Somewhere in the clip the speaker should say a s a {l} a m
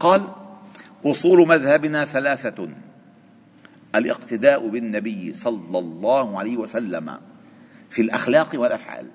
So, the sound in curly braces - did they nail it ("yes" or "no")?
no